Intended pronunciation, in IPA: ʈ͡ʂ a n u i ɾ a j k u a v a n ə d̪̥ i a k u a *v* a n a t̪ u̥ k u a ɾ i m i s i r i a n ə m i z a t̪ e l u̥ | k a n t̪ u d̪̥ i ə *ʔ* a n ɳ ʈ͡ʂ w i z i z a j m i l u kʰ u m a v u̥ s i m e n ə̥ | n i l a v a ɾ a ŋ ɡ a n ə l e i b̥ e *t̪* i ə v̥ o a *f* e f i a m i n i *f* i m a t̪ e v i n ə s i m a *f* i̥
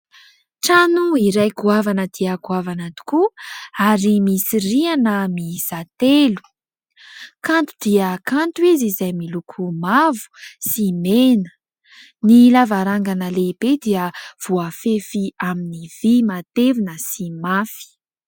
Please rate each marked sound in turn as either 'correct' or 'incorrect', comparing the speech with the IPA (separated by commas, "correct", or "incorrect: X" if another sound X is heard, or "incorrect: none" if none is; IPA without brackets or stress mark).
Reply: correct, incorrect: k, incorrect: d̪, correct, incorrect: v, correct